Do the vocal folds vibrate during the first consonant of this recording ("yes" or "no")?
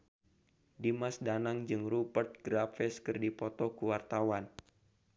yes